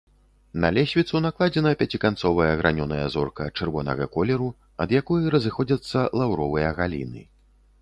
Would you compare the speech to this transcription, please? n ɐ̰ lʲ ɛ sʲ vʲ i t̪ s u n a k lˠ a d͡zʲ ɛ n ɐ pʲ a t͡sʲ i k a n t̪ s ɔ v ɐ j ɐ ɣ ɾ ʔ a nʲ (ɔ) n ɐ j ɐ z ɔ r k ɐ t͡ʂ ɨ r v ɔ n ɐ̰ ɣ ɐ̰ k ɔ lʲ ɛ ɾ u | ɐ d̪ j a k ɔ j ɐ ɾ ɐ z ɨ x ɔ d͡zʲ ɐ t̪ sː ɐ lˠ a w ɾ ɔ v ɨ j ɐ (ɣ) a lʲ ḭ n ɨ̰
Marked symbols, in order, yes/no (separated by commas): yes, yes